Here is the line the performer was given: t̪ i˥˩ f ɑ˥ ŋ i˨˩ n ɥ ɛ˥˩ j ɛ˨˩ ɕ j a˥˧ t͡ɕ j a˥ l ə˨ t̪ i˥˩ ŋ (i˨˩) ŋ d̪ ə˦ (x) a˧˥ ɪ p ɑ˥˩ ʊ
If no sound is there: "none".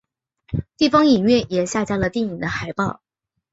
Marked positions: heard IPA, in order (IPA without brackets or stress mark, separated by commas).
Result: i˨˩, x